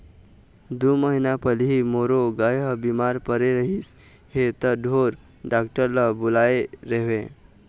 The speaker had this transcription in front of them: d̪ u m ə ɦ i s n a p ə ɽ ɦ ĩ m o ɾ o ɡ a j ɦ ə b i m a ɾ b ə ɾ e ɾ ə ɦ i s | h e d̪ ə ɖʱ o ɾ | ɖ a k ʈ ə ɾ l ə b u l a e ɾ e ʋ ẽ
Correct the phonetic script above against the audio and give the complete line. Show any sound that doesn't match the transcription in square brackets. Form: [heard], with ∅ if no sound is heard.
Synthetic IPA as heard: d̪ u m ə ɦ i [∅] n a p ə [l] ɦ [i] m o ɾ o ɡ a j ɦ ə b i m a ɾ [p] ə ɾ e ɾ ə ɦ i s | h e [t̪] ə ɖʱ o ɾ | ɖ a k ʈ ə ɾ l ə b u l a e ɾ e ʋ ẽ